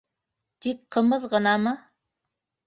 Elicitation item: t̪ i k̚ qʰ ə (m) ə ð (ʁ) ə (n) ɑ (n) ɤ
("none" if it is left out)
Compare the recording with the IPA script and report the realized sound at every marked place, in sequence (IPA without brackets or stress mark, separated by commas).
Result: m, ʁ, n, m